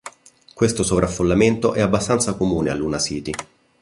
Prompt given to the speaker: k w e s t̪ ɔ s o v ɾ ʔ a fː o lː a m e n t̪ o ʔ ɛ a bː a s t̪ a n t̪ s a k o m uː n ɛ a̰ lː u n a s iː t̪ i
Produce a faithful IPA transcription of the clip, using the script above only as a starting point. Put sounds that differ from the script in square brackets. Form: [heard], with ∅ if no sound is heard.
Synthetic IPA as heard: k w e s t̪ [o] s o v ɾ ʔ a fː o lː a m e n t̪ o ʔ ɛ a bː a s t̪ a n t̪ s a k o m uː n [e] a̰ lː u n a s iː t̪ i